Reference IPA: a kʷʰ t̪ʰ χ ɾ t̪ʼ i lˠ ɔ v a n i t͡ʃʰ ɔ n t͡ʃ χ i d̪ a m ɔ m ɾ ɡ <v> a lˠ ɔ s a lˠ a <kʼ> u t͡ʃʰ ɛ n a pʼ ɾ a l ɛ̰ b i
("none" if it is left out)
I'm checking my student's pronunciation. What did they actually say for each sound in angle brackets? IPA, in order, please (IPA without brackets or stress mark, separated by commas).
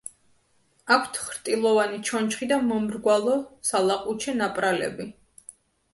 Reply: w, qʼ